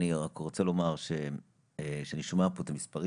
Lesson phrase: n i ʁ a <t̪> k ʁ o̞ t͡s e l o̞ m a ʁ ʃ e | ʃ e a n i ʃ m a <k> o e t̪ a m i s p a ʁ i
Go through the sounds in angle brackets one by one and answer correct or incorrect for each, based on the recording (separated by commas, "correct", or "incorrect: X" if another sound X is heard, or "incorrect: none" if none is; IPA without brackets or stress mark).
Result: incorrect: none, incorrect: p